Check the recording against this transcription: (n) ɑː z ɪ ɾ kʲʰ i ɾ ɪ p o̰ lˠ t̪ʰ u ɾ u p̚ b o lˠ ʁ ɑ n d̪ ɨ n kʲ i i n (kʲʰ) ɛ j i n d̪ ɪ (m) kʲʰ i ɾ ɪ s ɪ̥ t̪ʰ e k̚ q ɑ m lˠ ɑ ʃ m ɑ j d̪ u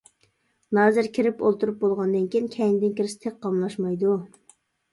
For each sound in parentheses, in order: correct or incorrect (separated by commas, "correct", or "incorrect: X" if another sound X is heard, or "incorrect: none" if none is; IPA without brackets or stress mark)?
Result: correct, correct, incorrect: n